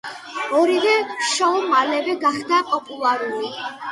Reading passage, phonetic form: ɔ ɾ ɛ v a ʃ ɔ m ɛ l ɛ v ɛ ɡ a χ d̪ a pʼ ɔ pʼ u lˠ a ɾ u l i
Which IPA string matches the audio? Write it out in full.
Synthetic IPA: ɔ ɾ i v ɛ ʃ ɔ m a l ɛ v ɛ ɡ a χ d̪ a pʼ ɔ pʼ u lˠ a ɾ u l i